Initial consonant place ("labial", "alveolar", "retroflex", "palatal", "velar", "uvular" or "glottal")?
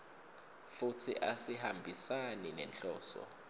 labial